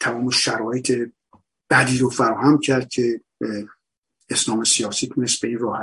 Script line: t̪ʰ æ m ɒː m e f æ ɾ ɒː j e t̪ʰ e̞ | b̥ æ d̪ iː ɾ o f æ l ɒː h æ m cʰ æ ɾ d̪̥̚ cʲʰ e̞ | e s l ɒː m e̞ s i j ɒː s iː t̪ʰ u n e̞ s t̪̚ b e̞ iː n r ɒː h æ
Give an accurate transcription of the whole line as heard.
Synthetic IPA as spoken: t̪ʰ æ m ɒː m e ʃ æ ɾ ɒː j e t̪ʰ e̞ | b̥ æ d̪ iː ɾ o f æ ɾ ɒː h æ m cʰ æ ɾ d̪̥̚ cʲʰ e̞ | e s l ɒː m e̞ s i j ɒː s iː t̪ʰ u n e̞ s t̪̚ b e̞ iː n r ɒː h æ